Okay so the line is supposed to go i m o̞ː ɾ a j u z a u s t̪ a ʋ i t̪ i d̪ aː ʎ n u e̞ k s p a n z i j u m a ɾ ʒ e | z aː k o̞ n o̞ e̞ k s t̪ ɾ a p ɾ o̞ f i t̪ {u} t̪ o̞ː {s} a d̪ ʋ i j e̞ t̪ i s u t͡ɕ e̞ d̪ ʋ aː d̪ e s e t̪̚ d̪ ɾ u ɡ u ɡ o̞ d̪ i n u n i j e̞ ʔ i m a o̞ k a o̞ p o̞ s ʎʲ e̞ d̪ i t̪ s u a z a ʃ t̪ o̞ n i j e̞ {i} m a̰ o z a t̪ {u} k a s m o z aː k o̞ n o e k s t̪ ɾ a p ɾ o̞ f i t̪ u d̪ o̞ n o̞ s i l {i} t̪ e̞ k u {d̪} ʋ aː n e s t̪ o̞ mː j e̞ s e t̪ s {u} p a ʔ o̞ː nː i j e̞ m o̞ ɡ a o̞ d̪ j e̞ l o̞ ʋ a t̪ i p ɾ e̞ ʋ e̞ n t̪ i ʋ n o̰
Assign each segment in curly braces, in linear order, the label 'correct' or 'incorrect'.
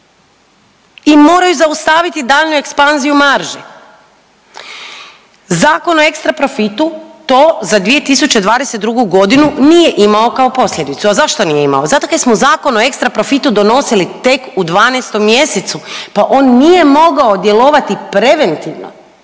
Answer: correct, incorrect: z, correct, incorrect: o, correct, correct, correct

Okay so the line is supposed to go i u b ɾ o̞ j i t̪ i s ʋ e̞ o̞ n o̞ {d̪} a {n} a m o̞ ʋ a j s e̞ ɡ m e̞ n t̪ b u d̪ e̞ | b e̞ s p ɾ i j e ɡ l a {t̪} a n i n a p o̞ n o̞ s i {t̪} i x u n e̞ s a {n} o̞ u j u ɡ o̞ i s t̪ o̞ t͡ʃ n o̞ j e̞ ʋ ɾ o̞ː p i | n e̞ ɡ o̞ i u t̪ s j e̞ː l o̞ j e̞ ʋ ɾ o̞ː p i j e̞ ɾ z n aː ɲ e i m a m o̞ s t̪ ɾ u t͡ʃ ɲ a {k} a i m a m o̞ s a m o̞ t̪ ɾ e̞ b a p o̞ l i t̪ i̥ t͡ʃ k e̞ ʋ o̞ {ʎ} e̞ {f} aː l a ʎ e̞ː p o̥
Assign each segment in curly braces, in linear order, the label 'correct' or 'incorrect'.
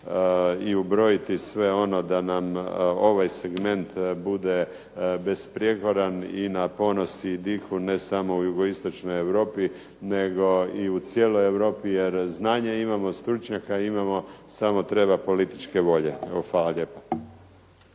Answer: correct, correct, incorrect: d̪, incorrect: d̪, incorrect: m, correct, correct, correct

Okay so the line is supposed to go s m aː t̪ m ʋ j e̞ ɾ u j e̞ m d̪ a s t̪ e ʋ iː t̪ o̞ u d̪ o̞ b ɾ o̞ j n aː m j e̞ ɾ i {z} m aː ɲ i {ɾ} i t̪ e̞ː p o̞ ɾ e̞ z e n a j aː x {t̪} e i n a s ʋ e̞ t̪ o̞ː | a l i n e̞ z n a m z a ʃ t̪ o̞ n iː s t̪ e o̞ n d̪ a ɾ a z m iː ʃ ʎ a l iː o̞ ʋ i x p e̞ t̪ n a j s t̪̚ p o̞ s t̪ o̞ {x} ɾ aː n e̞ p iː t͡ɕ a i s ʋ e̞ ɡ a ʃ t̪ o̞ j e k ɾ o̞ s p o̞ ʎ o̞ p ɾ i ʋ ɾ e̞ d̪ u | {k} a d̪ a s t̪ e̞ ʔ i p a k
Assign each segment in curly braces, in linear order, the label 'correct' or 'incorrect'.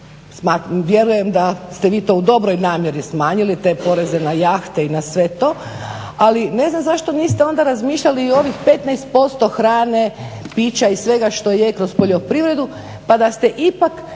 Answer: incorrect: s, incorrect: l, correct, correct, incorrect: p

